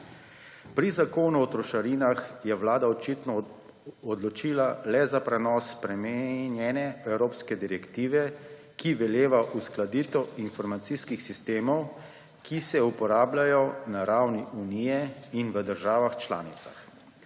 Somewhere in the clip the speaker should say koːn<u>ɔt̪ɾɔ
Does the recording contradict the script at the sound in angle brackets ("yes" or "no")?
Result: no